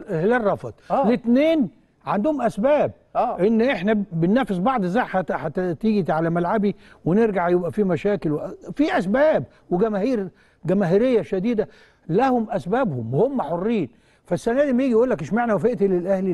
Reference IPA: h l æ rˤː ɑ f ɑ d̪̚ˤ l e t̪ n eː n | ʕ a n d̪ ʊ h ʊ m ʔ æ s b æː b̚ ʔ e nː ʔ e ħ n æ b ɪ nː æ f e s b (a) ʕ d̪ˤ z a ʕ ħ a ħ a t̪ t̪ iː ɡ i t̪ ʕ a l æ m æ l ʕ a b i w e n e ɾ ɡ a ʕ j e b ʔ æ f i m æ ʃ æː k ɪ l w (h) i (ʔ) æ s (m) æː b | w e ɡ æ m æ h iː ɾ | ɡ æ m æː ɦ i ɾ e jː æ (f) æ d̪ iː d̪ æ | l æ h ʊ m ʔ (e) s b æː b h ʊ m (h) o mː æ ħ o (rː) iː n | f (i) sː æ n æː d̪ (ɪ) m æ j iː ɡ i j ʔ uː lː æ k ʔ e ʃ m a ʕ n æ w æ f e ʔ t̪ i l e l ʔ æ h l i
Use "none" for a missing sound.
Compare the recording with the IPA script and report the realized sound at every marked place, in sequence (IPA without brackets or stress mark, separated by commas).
ɑ, f, ʔ, b, ʃ, æ, h, rː, æ, i